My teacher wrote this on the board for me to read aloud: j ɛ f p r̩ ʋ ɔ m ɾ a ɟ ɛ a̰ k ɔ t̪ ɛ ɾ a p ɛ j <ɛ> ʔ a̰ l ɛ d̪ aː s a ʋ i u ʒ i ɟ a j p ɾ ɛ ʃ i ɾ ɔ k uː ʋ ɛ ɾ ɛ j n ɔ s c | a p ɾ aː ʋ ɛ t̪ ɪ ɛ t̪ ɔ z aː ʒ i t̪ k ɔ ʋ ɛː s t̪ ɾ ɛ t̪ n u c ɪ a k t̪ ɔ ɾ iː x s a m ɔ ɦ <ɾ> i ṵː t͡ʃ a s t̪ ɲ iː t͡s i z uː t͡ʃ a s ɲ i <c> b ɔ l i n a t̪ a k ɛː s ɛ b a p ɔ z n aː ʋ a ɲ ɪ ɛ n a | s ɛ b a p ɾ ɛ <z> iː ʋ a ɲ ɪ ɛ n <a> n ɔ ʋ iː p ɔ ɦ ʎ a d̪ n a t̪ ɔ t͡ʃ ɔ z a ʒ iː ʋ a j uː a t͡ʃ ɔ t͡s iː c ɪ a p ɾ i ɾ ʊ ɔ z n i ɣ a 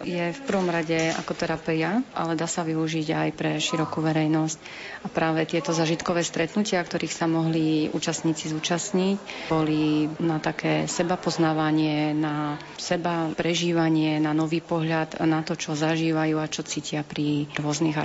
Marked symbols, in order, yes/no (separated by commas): no, no, yes, no, yes